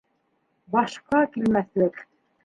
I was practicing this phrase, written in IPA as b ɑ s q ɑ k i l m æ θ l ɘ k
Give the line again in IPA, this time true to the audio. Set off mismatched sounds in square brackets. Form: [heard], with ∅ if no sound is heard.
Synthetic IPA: b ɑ [ʃ] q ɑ k i l m æ θ l ɘ k